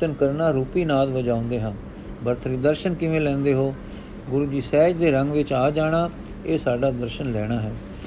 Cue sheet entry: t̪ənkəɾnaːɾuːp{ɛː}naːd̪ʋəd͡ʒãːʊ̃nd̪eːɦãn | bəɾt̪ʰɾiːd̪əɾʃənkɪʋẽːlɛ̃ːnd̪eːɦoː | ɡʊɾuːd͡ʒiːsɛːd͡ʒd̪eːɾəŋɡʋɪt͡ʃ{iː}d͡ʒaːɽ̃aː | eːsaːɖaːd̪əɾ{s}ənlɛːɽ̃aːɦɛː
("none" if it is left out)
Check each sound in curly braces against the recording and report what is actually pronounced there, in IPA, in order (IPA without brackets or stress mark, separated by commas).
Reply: iː, aː, ʃ